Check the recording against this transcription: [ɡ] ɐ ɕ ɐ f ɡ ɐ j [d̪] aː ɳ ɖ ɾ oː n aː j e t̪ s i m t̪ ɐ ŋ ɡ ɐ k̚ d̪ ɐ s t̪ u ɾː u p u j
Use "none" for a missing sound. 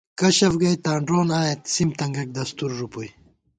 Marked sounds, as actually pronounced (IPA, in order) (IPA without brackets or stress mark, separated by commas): k, t̪